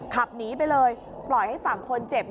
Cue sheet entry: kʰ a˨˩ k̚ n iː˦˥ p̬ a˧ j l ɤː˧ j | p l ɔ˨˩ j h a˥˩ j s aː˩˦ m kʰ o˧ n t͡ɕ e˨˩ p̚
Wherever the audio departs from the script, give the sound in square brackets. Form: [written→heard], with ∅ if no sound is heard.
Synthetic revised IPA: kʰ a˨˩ [k̚→p̚] n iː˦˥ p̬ a˧ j l ɤː˧ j | p l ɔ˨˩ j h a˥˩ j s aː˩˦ [m→ŋ] kʰ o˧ n t͡ɕ e˨˩ p̚